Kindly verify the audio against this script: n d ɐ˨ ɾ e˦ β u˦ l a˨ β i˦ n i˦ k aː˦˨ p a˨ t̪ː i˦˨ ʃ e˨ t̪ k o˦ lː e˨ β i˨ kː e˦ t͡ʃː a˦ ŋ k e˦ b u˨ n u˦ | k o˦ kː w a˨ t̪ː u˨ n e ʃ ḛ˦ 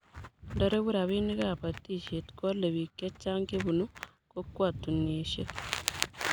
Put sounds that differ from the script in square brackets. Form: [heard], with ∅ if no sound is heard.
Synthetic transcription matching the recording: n d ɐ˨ ɾ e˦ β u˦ [ɾ] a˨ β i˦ n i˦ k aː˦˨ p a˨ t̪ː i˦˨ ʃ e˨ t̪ k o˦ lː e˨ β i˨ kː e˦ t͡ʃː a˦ ŋ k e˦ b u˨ n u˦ | k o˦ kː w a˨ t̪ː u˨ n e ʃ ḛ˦